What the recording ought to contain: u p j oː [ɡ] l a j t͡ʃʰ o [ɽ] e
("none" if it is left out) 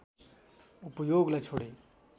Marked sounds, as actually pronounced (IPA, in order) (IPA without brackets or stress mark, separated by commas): ɡ, ɽ